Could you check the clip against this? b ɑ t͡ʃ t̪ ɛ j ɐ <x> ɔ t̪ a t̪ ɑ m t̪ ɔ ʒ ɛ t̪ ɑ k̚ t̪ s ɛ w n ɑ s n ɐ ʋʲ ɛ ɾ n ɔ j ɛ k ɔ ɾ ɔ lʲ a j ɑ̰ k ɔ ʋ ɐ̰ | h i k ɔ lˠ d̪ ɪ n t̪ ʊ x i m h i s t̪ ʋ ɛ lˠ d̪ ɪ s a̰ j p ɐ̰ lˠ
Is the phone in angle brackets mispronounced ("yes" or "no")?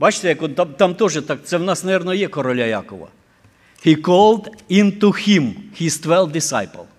yes